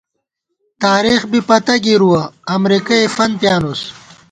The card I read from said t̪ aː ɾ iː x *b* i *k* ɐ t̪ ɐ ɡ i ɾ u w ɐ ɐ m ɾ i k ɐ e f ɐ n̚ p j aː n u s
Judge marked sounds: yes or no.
yes, no

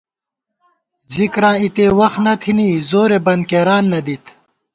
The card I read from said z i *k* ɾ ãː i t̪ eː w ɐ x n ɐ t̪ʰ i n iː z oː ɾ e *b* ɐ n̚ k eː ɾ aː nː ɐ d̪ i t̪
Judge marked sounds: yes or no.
yes, yes

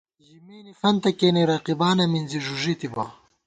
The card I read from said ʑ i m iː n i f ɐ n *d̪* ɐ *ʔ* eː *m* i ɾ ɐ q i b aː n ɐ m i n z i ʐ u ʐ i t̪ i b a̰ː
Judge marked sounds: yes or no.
no, no, no

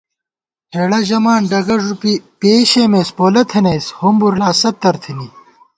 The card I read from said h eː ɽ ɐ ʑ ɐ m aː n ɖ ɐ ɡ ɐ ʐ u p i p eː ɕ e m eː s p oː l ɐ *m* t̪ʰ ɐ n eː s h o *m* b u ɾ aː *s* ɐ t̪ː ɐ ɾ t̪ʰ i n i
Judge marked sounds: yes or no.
no, yes, yes

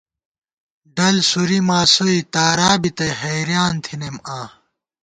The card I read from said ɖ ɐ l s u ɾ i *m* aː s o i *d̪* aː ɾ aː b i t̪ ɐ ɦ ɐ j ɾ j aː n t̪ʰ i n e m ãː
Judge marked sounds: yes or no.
yes, no

